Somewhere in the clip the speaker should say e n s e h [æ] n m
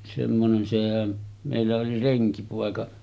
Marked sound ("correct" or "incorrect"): correct